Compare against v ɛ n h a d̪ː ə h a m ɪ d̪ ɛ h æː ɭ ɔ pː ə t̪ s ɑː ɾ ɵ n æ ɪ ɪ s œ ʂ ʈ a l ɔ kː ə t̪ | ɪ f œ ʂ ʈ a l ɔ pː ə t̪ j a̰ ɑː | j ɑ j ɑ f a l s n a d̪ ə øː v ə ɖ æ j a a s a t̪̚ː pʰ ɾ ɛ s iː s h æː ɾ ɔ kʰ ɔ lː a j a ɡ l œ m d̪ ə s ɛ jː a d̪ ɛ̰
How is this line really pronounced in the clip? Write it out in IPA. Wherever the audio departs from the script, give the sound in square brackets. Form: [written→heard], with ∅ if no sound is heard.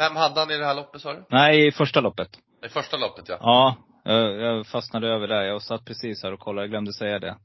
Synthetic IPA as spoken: v ɛ [n→m] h a d̪ː ə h a [m→n] ɪ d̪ ɛ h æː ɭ ɔ pː ə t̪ s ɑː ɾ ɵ n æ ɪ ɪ [s→f] œ ʂ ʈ a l ɔ [kː→pː] ə t̪ | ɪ f œ ʂ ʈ a l ɔ pː ə t̪ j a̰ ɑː | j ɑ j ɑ f a [l→∅] s n a d̪ ə øː v ə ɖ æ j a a s a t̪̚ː pʰ ɾ ɛ s iː s h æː ɾ ɔ kʰ ɔ lː a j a ɡ l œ m d̪ ə s ɛ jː a d̪ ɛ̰